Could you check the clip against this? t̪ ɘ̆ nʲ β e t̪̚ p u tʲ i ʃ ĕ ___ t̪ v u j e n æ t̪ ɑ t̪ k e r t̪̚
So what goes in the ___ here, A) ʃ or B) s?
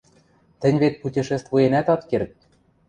B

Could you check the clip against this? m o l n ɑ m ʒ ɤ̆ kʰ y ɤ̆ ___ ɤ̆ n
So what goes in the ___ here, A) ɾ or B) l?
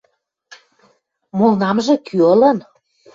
B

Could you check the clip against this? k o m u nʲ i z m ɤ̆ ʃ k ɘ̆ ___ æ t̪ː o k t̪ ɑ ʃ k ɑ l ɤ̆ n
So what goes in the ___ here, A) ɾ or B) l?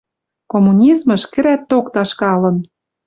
A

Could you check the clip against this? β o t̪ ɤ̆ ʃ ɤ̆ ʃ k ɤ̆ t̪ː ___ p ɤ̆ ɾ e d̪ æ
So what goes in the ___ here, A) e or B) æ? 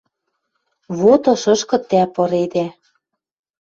B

